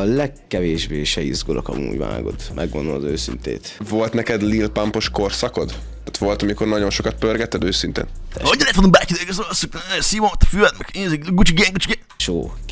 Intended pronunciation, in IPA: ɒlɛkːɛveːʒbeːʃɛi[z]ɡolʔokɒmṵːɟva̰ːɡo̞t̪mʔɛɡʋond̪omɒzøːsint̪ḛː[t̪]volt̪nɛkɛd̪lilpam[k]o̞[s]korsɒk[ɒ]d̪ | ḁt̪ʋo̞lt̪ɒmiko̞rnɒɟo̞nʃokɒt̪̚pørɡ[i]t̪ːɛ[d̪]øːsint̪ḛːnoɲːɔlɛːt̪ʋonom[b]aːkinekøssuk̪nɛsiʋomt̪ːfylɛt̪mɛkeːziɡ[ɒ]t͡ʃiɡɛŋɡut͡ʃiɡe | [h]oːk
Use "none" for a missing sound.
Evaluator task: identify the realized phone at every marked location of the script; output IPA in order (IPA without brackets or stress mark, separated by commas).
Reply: z, t̪, p, ʃ, o, ɛ, d̪, b, u, ʃ